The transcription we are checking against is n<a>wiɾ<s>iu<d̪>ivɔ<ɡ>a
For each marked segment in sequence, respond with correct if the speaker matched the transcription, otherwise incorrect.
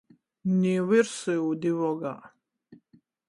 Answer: incorrect, correct, correct, correct

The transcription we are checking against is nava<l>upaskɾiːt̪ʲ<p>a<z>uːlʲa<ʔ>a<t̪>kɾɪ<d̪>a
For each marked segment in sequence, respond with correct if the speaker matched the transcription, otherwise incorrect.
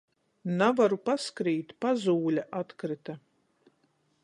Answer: incorrect, correct, correct, correct, correct, incorrect

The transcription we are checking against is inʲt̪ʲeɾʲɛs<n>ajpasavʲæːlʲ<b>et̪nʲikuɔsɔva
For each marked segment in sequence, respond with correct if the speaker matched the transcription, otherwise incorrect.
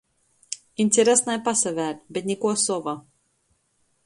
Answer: correct, correct

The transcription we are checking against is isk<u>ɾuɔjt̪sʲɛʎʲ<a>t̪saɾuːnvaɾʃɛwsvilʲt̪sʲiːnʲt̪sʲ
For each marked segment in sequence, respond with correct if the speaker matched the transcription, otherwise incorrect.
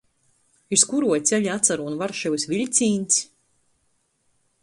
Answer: correct, correct

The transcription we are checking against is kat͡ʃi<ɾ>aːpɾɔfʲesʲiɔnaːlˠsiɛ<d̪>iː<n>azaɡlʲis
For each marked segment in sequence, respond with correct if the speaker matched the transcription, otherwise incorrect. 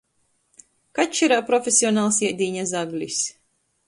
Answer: correct, correct, incorrect

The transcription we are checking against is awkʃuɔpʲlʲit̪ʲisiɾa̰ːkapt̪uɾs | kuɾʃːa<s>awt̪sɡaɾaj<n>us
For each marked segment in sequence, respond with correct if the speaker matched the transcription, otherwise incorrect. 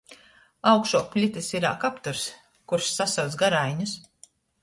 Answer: correct, incorrect

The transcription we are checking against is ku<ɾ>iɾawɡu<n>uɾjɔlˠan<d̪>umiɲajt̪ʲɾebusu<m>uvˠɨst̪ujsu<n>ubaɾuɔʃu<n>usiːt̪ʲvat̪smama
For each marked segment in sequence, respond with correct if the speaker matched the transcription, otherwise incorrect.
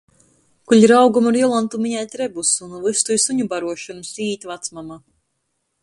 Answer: incorrect, incorrect, incorrect, incorrect, incorrect, correct

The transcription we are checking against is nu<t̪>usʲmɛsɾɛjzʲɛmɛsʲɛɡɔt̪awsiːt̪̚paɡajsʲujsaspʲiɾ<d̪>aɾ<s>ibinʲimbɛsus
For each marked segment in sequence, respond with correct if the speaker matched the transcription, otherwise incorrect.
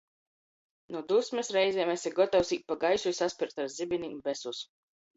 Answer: incorrect, incorrect, incorrect

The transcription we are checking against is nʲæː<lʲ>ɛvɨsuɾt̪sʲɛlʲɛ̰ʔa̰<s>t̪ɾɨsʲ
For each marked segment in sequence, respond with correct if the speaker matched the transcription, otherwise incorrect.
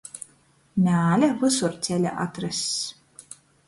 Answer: correct, incorrect

